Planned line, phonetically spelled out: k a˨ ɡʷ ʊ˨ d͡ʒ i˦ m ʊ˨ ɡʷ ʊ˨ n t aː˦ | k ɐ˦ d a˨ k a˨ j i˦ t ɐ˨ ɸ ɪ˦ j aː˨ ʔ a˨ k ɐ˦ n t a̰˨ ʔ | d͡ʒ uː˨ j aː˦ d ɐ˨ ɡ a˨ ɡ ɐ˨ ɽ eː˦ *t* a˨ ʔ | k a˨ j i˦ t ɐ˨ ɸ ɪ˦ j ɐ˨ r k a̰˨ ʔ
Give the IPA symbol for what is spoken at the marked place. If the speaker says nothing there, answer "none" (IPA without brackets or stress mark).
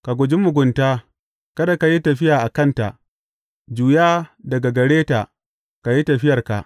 t